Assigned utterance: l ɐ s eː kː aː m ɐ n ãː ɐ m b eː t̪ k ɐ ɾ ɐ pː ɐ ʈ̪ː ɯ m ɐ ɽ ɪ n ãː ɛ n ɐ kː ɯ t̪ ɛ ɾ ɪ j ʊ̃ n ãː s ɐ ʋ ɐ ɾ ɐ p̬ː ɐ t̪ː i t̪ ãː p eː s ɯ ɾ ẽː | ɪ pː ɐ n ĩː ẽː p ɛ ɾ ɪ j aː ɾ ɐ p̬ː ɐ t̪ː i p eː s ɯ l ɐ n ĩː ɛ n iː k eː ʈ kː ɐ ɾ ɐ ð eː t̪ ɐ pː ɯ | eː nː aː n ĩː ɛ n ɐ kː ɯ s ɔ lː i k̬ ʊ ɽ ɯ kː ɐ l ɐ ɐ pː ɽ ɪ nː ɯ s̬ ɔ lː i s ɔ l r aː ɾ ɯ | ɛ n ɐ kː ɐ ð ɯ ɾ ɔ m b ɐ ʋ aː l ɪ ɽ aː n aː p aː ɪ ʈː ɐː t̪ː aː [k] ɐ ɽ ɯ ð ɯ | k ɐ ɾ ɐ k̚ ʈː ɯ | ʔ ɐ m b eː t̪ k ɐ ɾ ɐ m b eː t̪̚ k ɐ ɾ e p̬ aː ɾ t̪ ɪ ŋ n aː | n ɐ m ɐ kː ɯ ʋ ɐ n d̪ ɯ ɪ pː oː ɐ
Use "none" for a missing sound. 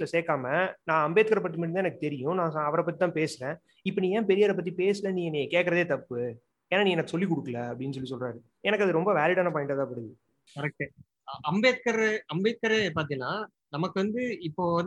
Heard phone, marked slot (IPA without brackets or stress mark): p